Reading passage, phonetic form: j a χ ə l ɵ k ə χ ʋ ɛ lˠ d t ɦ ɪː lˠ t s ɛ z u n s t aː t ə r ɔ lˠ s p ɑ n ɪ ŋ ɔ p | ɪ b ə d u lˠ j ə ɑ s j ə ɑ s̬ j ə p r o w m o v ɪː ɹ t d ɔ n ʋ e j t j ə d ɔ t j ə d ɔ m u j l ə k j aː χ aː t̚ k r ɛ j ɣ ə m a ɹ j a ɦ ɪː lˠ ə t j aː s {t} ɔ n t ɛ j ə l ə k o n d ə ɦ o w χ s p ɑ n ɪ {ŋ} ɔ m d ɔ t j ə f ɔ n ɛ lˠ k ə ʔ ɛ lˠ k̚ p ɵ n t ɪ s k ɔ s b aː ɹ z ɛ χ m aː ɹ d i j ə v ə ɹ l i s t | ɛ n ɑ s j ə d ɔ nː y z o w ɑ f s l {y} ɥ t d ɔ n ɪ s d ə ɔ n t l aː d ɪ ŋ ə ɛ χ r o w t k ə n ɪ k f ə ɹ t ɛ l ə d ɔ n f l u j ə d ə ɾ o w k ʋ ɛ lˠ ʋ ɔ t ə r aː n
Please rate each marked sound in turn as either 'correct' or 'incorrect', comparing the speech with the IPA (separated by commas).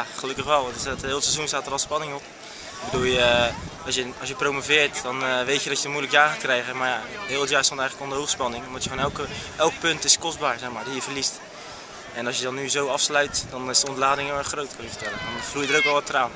correct, correct, incorrect